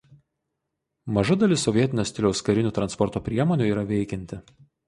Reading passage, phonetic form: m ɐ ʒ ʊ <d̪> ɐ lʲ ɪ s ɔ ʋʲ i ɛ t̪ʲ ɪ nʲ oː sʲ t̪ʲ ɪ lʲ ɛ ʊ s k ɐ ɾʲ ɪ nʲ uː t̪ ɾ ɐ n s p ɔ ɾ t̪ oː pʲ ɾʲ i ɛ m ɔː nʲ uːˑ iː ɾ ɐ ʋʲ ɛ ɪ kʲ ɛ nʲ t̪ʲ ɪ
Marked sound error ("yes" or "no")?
no